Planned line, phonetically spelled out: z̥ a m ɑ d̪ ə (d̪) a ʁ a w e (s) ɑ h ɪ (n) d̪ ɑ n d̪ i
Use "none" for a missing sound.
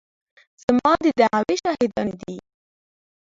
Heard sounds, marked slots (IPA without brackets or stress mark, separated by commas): d̪, ʃ, none